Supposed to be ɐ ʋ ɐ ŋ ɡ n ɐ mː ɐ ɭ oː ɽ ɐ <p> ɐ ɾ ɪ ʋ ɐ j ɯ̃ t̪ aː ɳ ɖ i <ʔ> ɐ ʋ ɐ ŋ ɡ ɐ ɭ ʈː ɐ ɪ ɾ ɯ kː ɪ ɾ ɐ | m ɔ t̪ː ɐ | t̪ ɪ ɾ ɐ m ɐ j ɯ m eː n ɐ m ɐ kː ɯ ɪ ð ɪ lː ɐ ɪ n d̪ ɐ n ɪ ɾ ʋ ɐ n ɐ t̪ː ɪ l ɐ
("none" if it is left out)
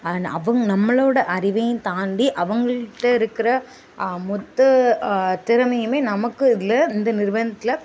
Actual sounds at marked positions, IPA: ʔ, ʔ

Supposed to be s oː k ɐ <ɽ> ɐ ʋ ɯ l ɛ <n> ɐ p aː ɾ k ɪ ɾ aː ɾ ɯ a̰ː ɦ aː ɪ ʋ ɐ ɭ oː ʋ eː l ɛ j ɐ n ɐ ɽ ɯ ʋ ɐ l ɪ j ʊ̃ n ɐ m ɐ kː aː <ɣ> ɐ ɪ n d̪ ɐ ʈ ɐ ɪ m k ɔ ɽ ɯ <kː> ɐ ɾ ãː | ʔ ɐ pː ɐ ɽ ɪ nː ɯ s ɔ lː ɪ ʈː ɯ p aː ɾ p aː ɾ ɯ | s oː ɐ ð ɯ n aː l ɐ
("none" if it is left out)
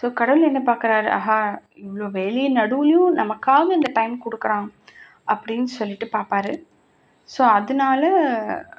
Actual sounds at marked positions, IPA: ɽ, nː, ɣ, kː

